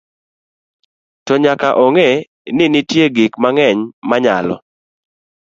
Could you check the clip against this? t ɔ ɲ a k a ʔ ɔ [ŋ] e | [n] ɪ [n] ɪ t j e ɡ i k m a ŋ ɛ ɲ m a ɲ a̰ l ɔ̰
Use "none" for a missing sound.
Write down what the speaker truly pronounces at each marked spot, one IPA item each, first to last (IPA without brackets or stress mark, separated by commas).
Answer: ŋ, n, n